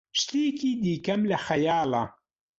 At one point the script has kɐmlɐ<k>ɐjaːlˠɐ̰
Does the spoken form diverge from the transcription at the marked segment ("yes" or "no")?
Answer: yes